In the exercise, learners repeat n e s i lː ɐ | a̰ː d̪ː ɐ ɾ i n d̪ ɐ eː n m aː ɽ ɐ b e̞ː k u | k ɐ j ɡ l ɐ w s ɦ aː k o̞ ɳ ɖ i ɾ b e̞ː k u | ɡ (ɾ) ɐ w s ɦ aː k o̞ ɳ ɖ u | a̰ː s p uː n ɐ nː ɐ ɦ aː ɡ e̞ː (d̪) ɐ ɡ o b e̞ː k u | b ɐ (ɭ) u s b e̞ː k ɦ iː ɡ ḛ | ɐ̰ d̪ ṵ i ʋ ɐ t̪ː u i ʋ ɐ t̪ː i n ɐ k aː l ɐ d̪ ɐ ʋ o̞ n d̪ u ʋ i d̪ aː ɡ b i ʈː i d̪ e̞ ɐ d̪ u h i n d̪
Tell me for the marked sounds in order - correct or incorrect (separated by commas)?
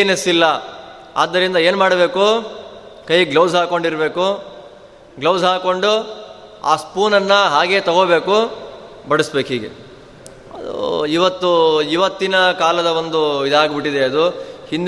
incorrect, incorrect, incorrect